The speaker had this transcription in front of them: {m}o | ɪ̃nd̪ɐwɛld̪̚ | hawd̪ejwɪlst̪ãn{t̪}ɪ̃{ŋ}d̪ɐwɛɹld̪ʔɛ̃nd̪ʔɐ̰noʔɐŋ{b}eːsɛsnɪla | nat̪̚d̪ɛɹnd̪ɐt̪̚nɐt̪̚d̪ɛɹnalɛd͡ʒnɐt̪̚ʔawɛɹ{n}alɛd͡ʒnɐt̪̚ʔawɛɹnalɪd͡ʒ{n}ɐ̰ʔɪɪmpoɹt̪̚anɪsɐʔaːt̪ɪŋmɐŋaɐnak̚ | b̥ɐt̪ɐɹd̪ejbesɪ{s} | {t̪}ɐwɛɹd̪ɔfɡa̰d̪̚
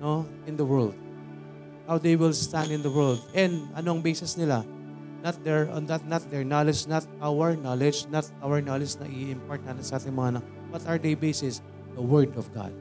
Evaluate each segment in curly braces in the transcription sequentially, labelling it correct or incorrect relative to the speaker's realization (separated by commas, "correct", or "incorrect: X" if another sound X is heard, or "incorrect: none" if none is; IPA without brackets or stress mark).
incorrect: n, incorrect: d̪, incorrect: n, correct, correct, correct, correct, incorrect: d̪